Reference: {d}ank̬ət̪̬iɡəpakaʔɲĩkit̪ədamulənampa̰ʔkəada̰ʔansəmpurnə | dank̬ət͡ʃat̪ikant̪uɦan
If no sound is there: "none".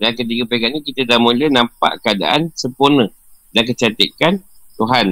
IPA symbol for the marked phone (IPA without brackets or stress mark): d